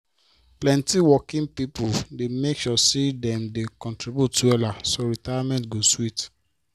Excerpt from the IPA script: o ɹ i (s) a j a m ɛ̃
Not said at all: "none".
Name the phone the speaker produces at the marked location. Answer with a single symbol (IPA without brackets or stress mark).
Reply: t